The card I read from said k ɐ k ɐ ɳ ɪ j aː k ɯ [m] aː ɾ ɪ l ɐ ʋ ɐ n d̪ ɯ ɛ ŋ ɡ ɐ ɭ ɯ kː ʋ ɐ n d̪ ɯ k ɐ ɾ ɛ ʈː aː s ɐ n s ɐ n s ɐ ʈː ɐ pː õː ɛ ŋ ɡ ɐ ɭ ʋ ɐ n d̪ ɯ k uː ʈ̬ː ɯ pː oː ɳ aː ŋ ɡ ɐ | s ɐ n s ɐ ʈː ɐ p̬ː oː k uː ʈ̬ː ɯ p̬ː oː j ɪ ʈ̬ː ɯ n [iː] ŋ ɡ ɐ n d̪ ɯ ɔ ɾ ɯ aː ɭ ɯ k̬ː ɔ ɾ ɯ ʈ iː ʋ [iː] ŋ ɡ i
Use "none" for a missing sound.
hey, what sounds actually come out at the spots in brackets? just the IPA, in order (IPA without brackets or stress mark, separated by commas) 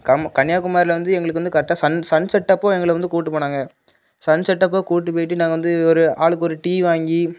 m, aː, aː